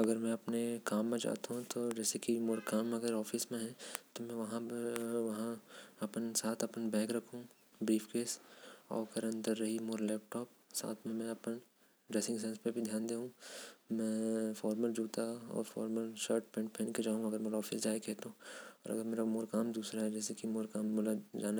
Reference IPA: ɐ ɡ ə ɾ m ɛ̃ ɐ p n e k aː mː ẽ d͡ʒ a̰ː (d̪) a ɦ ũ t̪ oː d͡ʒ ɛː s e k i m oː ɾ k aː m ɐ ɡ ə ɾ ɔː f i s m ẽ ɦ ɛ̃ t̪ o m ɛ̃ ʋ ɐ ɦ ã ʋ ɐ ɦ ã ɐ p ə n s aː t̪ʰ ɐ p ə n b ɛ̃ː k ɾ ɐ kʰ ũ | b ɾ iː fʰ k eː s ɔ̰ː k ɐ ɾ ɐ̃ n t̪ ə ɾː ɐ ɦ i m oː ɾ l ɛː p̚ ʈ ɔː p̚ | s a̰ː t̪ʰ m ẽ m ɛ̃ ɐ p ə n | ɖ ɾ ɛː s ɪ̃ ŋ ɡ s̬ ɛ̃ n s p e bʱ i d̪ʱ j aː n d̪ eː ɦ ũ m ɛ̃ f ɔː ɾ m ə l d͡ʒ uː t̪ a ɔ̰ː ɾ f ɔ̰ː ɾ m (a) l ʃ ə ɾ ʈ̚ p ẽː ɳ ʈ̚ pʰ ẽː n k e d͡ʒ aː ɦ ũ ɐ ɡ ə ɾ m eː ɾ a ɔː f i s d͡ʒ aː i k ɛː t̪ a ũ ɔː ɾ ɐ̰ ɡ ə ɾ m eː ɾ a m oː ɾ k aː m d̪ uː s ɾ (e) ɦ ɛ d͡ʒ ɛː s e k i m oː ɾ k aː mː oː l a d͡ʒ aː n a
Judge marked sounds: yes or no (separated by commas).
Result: no, no, no